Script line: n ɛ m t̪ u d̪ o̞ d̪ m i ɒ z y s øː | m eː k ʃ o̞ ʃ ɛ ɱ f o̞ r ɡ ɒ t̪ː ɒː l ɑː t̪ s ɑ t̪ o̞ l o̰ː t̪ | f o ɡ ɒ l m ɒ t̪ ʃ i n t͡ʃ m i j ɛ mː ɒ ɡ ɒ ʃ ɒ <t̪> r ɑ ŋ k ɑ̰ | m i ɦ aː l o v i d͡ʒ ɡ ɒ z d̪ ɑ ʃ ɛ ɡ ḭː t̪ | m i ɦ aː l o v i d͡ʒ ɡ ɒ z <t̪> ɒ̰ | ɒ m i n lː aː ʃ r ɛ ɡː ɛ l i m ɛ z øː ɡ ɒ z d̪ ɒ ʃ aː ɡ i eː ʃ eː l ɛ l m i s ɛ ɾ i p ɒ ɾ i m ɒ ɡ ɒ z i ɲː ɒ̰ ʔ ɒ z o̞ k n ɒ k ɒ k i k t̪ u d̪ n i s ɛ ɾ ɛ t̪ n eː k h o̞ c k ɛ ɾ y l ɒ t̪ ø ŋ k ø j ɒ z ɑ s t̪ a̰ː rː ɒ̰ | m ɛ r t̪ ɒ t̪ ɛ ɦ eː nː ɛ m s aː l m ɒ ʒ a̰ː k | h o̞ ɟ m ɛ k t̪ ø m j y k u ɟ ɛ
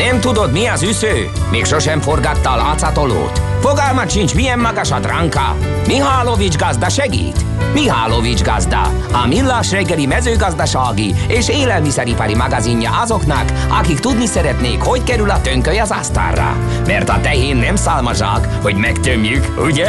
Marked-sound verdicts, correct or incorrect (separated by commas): incorrect, incorrect